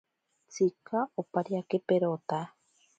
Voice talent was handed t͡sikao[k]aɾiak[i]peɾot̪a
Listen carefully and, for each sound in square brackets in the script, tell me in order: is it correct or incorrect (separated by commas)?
incorrect, incorrect